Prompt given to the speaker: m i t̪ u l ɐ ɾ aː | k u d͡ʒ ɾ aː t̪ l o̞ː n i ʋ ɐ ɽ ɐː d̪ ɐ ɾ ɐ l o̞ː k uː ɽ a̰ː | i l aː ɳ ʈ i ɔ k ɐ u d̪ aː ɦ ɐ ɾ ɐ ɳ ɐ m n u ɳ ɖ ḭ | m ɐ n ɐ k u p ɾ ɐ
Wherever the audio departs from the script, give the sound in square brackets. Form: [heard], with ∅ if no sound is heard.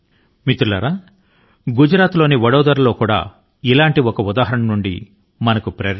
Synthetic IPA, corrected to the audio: m i t̪ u l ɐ ɾ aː | [ɡ] u d͡ʒ ɾ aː t̪ l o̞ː n i ʋ ɐ ɽ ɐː d̪ ɐ ɾ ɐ l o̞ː k uː ɽ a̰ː | i l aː ɳ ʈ i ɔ k ɐ u d̪ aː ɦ ɐ ɾ ɐ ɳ ɐ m n u ɳ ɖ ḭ | m ɐ n ɐ k u p ɾ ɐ